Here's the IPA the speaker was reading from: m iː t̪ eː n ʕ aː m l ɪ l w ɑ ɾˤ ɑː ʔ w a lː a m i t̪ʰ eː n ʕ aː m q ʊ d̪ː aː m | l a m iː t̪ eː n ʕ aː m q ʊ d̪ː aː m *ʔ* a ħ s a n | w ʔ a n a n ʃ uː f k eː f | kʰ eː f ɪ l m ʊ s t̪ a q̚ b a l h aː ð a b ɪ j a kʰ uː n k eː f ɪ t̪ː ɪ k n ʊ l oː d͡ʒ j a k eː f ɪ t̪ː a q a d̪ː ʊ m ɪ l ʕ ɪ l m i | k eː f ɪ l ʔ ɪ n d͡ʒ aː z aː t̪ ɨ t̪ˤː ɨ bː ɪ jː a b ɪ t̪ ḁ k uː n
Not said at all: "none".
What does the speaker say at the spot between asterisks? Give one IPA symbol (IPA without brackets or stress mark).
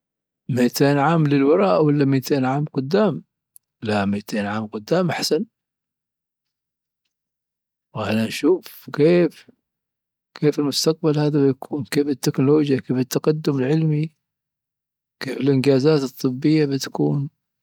ʔ